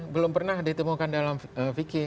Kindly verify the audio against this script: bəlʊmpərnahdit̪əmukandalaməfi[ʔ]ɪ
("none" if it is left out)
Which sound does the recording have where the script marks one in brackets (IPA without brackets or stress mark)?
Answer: k